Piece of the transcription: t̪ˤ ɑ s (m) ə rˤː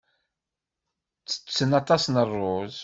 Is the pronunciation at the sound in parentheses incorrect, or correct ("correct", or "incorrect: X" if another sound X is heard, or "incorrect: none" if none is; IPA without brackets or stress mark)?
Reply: incorrect: n